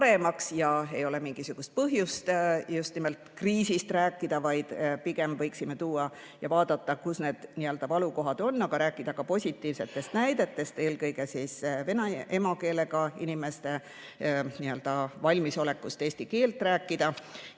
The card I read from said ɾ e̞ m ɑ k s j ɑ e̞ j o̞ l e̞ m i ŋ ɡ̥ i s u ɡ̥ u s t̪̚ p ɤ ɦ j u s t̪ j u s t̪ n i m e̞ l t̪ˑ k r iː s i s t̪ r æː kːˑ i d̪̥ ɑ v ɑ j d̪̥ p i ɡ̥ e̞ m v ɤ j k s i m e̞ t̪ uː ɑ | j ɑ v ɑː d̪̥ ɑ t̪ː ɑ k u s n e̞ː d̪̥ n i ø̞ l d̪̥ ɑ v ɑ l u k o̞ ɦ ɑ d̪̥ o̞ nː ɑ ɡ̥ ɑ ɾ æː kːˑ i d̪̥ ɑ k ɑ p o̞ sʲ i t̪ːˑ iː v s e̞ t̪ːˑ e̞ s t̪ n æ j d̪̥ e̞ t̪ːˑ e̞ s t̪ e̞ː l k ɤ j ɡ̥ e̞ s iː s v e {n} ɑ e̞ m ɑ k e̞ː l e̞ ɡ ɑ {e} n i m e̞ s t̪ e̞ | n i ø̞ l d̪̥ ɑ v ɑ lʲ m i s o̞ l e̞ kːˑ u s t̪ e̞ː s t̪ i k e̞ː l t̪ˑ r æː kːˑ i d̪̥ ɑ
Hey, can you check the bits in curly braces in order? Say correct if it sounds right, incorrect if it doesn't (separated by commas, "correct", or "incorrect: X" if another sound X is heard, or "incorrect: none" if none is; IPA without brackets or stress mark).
correct, incorrect: i